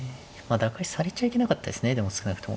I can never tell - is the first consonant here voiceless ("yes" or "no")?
no